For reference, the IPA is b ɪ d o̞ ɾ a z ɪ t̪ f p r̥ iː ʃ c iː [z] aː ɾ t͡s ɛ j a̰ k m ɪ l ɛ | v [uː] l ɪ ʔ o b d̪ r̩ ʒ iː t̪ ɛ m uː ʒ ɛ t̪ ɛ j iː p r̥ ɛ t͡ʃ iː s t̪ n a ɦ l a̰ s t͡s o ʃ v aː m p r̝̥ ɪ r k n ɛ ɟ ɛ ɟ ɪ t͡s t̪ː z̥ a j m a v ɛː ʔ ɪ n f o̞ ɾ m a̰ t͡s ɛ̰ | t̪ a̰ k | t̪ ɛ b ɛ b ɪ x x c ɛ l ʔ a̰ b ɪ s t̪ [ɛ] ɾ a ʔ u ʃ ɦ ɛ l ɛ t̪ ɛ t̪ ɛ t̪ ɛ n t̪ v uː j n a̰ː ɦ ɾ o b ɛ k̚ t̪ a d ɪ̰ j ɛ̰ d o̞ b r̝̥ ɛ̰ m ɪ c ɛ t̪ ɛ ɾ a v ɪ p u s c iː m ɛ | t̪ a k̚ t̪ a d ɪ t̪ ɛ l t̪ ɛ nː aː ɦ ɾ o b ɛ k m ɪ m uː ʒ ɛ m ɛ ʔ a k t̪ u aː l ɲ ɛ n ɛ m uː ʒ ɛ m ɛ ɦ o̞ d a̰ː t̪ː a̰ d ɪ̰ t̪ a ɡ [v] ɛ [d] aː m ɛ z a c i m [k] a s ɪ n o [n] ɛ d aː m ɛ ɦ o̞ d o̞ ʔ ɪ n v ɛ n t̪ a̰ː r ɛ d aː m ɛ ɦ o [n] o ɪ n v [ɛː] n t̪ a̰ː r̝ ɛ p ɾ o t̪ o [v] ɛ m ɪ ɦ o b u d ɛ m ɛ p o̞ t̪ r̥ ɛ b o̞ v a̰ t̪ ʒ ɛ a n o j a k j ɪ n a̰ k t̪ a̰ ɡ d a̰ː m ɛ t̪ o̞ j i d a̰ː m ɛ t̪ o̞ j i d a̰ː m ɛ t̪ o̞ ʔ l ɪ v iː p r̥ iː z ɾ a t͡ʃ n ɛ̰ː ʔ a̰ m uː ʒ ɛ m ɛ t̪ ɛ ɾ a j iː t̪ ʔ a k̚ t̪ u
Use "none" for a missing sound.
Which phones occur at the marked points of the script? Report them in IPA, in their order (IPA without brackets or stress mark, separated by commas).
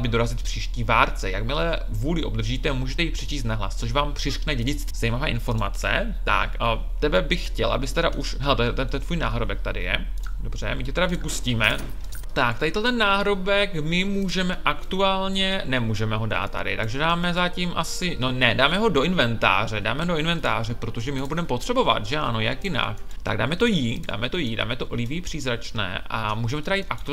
v, uː, ɛ, ʒ, d, ʔ, n, d, ɛ, ʒ